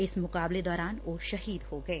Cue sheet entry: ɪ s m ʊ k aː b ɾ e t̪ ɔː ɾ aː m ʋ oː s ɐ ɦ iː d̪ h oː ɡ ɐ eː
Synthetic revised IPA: ɪ s m ʊ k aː b l e d̪ ɔː ɾ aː n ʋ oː ʃ ɐ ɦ iː d̪ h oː ɡ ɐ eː